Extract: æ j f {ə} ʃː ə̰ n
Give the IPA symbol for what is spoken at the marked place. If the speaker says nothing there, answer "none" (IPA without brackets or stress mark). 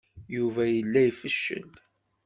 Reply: ə